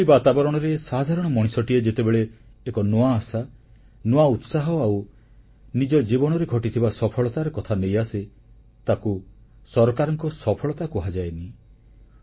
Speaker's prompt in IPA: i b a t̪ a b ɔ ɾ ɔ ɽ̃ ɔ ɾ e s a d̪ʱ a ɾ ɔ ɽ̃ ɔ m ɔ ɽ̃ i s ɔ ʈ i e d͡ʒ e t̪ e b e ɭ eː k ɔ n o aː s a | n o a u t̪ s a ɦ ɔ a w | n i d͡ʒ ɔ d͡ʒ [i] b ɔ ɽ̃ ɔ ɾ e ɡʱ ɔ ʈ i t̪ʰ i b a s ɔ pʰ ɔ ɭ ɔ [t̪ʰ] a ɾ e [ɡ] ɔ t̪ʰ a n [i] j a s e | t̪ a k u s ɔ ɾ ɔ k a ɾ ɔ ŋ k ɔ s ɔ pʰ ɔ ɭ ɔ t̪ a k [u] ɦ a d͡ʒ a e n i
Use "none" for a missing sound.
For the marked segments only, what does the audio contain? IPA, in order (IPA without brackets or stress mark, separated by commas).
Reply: i, t̪, k, e, u